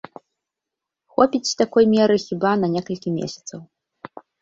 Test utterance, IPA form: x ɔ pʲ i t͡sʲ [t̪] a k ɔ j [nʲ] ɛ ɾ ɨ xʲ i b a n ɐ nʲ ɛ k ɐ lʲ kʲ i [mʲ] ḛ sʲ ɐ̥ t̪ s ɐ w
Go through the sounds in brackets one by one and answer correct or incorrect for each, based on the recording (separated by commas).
correct, incorrect, correct